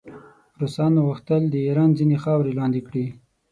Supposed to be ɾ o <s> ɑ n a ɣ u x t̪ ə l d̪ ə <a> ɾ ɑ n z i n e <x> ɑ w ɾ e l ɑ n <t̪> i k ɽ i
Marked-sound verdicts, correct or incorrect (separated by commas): correct, incorrect, correct, incorrect